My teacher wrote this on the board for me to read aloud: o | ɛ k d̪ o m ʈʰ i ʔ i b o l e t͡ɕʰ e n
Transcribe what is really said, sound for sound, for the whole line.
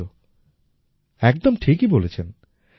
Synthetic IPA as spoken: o | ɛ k d̪ o m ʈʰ i k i b o l e t͡ɕʰ e n